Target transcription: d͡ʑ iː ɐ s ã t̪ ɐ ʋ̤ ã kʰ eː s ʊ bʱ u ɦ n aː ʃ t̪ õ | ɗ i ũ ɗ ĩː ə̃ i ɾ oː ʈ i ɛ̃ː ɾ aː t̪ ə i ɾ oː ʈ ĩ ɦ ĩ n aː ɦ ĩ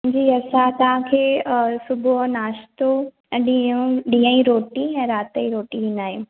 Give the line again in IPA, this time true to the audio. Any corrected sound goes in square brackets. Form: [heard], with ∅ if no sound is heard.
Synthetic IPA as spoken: d͡ʑ iː ɐ s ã t̪ ɐ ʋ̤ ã kʰ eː s ʊ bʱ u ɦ n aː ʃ t̪ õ | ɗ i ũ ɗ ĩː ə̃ i ɾ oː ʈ i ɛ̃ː ɾ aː t̪ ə i ɾ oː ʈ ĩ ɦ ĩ n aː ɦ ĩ